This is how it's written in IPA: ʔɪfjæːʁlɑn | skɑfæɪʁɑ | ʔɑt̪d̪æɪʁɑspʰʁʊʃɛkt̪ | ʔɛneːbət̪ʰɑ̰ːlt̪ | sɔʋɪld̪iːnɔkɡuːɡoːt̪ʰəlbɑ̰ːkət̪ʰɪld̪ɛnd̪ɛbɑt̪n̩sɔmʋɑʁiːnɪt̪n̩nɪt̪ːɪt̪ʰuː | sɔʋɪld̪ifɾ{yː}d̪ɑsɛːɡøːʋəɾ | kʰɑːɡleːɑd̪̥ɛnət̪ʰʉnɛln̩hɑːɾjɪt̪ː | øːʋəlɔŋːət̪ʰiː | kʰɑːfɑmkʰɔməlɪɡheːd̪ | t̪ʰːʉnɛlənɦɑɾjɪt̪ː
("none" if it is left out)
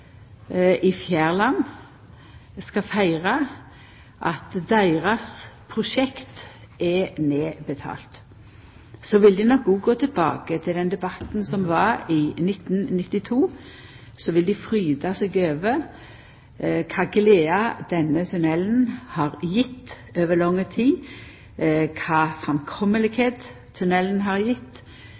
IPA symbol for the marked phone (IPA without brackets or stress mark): yː